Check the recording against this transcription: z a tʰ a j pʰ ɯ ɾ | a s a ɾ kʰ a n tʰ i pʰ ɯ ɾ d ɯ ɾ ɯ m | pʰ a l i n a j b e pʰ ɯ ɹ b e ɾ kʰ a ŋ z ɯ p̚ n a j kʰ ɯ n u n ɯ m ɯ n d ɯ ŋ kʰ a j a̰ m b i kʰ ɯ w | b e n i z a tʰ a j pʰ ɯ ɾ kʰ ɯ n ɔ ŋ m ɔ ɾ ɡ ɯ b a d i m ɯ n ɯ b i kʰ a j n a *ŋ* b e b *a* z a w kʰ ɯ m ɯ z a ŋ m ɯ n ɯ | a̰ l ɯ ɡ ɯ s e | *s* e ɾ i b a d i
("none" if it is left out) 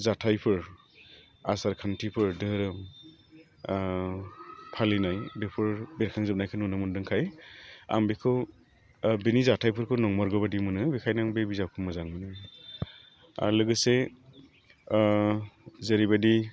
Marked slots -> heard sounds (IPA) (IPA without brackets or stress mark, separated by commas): ŋ, i, z